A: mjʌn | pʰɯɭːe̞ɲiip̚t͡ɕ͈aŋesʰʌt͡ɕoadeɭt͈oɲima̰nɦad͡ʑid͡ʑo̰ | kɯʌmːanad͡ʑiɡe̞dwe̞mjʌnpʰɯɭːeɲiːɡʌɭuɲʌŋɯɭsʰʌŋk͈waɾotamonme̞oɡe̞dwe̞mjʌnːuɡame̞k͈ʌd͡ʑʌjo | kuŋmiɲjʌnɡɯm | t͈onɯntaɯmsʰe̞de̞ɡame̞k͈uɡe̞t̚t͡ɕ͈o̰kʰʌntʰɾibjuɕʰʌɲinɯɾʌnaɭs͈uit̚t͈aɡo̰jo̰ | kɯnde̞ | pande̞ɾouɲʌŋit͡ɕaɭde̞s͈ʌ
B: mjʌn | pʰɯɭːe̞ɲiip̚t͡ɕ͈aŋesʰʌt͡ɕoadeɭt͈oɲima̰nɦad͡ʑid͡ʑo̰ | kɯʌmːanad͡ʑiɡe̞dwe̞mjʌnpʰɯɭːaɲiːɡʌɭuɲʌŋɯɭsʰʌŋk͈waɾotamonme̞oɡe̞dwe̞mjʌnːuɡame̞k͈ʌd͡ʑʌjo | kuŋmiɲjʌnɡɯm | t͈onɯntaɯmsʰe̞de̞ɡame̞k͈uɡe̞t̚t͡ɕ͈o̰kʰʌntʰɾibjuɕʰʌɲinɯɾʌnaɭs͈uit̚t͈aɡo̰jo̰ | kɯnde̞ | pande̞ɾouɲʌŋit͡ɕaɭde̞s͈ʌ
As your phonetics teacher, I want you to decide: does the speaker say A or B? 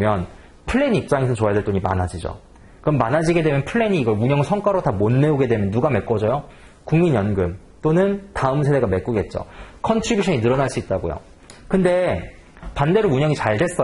A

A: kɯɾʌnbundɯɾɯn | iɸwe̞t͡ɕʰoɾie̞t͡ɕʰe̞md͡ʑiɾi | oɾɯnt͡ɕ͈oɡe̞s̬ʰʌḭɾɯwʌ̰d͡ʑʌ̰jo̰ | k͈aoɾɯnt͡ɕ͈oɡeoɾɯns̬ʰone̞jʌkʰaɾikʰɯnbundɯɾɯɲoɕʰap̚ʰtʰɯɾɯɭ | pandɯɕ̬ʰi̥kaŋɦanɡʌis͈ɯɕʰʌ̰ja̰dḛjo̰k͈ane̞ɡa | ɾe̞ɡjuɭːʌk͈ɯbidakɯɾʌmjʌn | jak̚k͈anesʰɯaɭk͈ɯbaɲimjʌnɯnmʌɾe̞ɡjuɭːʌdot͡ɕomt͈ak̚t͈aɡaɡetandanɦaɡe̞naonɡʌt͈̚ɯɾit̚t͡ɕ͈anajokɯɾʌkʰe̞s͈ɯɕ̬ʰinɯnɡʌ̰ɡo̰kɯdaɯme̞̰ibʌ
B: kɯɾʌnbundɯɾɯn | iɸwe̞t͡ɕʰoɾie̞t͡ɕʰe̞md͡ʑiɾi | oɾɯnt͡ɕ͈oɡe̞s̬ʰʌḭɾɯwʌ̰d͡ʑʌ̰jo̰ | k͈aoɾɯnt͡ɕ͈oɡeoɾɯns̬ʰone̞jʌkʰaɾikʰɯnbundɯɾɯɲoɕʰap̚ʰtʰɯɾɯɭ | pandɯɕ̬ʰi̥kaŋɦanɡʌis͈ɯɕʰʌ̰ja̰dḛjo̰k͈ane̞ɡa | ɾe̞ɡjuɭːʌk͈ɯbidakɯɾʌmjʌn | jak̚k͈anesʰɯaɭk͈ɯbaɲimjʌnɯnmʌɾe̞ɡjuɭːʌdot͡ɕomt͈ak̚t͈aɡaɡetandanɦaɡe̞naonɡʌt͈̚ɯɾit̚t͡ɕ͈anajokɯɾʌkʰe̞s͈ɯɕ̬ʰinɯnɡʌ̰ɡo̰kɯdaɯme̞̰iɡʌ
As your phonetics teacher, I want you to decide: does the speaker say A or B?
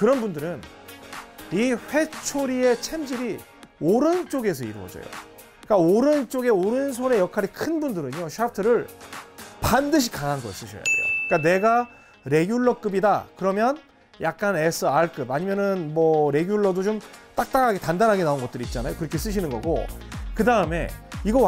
B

